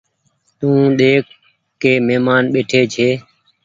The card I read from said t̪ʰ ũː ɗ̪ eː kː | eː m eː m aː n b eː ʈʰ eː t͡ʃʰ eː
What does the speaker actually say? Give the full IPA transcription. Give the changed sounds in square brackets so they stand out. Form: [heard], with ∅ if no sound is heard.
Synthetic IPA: [t̪] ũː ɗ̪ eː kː | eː m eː m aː n [ɓ] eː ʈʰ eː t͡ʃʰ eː